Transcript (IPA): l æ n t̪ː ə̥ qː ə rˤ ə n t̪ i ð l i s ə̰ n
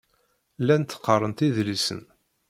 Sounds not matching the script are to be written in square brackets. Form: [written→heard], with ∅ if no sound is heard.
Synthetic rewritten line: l æ n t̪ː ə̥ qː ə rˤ ə n t̪ i ð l i s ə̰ n